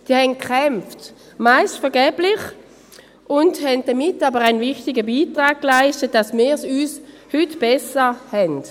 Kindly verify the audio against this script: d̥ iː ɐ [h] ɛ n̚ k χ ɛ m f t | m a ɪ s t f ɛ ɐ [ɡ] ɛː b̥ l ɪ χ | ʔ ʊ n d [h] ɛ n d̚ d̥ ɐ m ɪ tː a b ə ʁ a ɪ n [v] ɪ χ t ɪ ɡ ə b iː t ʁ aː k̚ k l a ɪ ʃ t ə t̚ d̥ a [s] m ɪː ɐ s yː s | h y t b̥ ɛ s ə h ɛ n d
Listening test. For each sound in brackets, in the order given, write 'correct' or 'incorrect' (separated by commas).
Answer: correct, correct, correct, correct, correct